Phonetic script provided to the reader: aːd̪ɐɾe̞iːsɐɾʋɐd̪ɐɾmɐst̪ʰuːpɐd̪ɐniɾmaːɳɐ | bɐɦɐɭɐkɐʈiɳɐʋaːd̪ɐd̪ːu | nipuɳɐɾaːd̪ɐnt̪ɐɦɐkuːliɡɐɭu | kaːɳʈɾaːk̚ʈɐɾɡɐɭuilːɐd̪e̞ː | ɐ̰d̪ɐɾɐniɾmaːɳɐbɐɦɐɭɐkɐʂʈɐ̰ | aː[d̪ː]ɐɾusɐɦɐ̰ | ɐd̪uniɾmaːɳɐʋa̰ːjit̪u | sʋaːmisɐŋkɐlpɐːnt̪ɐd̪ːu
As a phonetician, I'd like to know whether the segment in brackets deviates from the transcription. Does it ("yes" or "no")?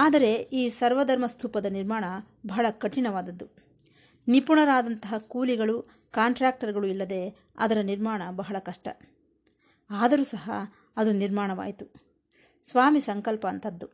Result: yes